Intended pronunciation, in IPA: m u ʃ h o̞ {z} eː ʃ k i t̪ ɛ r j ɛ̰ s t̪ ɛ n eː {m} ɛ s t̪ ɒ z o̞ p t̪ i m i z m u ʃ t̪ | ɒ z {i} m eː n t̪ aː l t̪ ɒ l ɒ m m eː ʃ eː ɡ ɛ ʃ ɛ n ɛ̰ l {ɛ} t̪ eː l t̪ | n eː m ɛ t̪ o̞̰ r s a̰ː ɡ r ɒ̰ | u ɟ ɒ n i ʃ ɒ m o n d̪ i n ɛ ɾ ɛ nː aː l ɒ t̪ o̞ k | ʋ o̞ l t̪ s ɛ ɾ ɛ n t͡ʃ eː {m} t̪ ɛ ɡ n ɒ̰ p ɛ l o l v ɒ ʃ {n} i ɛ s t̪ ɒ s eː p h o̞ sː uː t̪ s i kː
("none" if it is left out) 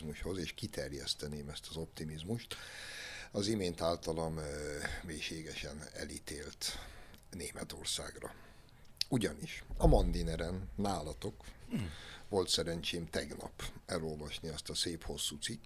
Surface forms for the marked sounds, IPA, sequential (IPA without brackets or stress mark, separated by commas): z, m, i, i, m, n